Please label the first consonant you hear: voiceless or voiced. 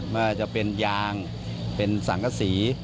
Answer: voiced